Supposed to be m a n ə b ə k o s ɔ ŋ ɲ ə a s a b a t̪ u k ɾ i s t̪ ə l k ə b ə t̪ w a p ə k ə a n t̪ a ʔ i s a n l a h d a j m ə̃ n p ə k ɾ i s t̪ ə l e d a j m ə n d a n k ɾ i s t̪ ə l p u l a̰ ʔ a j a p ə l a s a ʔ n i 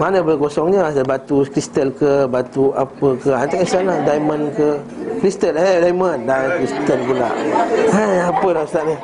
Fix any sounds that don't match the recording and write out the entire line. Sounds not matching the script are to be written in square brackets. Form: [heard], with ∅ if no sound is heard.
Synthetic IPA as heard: m a n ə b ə k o s ɔ ŋ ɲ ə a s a b a t̪ u k ɾ i s t̪ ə l k ə b [a] t̪ [u] a p ə k ə a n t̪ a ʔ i s a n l a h d a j m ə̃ n [k] ə k ɾ i s t̪ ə l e d a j m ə n d a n k ɾ i s t̪ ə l p u l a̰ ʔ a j a p ə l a s a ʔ n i